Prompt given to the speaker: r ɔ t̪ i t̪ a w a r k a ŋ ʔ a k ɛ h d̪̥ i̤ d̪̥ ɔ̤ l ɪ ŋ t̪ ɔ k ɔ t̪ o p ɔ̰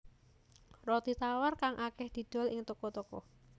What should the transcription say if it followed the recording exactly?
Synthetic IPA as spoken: r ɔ t̪ i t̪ a w a r k a ŋ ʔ a k ɛ h d̪̥ i̤ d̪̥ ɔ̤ l ɪ ŋ t̪ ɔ k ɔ t̪ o k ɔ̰